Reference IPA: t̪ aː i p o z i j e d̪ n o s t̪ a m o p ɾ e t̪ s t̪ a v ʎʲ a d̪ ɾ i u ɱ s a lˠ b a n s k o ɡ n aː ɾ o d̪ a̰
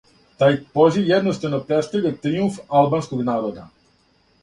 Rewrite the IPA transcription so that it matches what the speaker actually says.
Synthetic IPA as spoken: t̪ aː j p o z i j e d̪ n o s t̪ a n o p ɾ e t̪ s t̪ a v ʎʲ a t̪ ɾ i u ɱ f a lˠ b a n s k o ɡ n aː ɾ o d̪ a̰